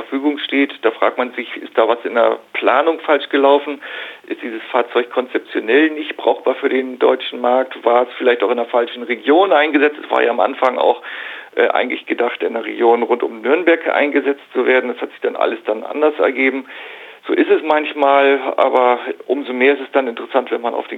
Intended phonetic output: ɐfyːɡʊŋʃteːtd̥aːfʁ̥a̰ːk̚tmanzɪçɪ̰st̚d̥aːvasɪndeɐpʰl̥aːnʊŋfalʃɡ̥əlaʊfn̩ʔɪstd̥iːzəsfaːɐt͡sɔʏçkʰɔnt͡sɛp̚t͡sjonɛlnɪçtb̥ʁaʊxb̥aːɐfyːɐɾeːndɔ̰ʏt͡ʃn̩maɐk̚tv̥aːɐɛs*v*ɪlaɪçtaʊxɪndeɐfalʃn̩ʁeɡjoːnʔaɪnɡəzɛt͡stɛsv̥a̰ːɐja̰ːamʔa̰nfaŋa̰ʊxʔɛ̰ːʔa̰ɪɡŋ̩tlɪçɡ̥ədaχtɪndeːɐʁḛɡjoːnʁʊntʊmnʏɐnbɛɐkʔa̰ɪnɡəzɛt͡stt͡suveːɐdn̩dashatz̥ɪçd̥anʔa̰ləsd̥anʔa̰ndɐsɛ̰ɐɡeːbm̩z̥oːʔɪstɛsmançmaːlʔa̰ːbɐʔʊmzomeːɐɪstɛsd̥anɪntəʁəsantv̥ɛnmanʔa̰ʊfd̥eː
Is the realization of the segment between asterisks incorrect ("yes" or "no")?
yes